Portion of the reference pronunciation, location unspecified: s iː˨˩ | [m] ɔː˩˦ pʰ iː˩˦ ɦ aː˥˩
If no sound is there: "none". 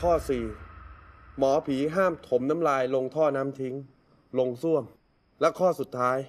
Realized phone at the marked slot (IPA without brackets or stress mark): m